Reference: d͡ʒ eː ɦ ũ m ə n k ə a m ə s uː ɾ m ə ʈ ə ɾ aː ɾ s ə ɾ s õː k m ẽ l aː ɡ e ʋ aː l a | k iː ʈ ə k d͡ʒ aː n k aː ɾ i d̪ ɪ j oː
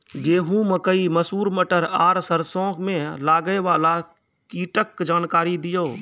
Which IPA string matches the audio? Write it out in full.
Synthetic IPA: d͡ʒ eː ɦ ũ m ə k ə i m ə s uː ɾ m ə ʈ ə ɾ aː ɾ s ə ɾ s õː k m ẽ l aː ɡ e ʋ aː l a | k iː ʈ ə k d͡ʒ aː n k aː ɾ i d̪ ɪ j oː